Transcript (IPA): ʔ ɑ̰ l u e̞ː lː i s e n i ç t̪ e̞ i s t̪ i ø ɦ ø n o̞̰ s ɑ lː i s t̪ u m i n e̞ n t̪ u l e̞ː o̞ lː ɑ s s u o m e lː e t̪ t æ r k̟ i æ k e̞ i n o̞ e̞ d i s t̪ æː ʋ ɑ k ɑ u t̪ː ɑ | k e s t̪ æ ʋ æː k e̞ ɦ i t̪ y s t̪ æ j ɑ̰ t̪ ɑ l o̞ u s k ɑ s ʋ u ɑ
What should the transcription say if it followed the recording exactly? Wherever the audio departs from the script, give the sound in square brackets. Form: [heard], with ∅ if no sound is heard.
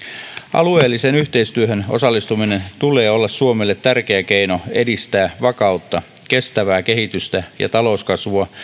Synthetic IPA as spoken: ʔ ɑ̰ l u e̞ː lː i s e n [y] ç t̪ e̞ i s t̪ [y] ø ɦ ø n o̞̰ s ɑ lː i s t̪ u m i n e̞ n t̪ u l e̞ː o̞ lː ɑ s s u o m e lː e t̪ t æ r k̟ [e] æ k e̞ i n o̞ e̞ d i s t̪ æː ʋ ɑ k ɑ u t̪ː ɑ | k e s t̪ æ ʋ æː k e̞ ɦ i t̪ y s t̪ æ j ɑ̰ t̪ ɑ l o̞ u s k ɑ s ʋ u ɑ